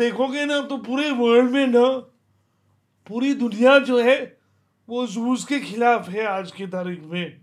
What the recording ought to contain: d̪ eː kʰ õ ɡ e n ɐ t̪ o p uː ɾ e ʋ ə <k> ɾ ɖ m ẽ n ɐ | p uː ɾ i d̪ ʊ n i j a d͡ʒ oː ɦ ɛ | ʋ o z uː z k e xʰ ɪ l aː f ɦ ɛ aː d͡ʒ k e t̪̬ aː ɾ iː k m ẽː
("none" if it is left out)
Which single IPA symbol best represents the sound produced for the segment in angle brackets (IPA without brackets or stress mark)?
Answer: none